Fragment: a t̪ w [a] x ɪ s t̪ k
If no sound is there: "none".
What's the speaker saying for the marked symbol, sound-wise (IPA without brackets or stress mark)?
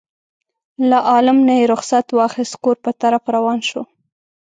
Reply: ɑ